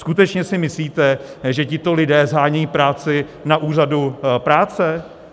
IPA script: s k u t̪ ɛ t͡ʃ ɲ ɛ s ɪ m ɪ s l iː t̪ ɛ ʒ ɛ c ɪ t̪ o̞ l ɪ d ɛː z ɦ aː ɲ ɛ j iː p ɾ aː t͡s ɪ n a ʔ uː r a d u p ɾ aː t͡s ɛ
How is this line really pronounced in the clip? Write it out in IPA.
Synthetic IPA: s k u t̪ ɛ t͡ʃ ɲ ɛ s ɪ m ɪ s l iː t̪ ɛ ʒ ɛ c ɪ t̪ o̞ l ɪ d ɛː z ɦ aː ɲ ɛ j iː p ɾ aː t͡s ɪ n a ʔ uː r a d u p ɾ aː t͡s ɛ